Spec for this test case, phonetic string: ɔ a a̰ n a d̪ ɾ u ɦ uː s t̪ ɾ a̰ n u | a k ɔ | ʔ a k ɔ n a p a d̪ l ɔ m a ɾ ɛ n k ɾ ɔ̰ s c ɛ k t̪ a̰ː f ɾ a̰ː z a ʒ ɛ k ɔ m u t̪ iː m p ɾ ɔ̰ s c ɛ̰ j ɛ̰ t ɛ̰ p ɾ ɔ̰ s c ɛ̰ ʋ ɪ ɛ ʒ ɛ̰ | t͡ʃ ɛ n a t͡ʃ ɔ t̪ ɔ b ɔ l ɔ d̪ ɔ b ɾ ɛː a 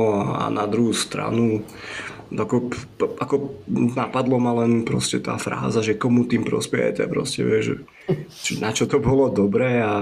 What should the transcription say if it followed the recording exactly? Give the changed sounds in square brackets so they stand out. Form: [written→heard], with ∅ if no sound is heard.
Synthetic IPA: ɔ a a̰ n a d̪ ɾ u ɦ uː s t̪ ɾ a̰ n u | a k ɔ | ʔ a k ɔ n a p a d̪ l ɔ m a [ɾ→l] ɛ n [k→p] ɾ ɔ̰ s c ɛ [k→∅] t̪ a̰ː f ɾ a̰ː z a ʒ ɛ k ɔ m u t̪ iː m p ɾ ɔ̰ s [c→p] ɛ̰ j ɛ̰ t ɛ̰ p ɾ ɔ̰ s c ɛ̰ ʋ ɪ ɛ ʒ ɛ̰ | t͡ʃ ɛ n a t͡ʃ ɔ t̪ ɔ b ɔ l ɔ d̪ ɔ b ɾ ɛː a